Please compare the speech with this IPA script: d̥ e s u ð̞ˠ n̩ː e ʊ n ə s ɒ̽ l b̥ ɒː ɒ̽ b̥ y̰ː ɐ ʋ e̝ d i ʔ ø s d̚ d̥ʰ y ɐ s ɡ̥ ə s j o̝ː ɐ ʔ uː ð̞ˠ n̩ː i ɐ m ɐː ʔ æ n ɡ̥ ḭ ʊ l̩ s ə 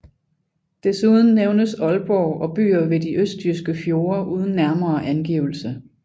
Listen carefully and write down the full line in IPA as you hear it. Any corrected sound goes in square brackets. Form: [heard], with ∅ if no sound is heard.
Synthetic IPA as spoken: d̥ e s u ð̞ˠ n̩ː e ʊ n ə s ɒ̽ l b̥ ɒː ɒ̽ b̥ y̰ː ɐ ʋ e̝ d i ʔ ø s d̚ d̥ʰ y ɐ s ɡ̥ ə [f] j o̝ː ɐ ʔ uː ð̞ˠ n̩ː [æ] ɐ m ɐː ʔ æ n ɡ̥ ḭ ʊ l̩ s ə